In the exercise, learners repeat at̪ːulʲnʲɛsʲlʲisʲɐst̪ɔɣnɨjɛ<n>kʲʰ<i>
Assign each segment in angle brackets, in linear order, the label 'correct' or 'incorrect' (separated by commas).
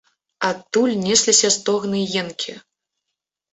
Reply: correct, correct